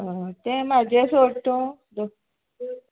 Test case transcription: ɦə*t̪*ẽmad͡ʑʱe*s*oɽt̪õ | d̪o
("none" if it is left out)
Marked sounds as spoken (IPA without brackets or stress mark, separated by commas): t̪, s